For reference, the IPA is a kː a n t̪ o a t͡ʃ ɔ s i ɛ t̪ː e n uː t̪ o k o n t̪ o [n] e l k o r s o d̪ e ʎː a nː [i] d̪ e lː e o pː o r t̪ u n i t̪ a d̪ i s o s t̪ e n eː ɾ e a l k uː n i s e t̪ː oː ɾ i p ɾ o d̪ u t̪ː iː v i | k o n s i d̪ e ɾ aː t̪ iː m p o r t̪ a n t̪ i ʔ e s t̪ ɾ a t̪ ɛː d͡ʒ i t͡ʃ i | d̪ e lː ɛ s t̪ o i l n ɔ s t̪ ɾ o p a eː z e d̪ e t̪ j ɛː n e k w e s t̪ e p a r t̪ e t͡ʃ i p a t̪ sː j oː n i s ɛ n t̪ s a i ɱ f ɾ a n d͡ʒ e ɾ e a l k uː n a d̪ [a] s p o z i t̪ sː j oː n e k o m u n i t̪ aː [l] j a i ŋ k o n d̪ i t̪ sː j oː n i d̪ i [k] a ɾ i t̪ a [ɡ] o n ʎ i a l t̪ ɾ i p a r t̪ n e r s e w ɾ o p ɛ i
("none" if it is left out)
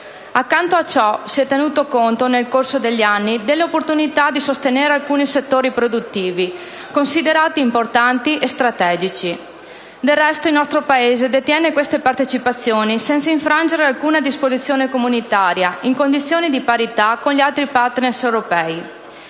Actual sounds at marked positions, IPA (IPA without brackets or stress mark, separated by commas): n, i, i, ɾ, p, k